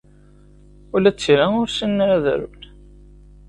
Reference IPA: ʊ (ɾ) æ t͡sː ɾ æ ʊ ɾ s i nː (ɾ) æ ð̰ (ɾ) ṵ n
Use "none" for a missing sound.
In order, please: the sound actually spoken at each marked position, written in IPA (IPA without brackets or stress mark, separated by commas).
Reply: l, ɾ, ɾ